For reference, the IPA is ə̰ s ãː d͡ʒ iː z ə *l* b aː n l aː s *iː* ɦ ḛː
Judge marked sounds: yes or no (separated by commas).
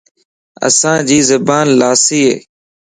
no, yes